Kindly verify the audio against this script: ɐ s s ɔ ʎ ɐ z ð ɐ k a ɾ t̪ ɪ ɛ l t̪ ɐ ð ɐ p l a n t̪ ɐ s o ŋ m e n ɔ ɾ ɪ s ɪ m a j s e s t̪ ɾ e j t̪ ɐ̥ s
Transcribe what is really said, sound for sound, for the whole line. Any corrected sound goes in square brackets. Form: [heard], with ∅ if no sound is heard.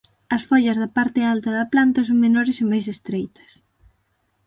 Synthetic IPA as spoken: ɐ s [f] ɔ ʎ ɐ z ð ɐ [p] a ɾ t̪ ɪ [a] l t̪ ɐ ð ɐ p l a n t̪ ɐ s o ŋ m e n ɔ ɾ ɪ s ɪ m a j s e s t̪ ɾ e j t̪ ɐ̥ s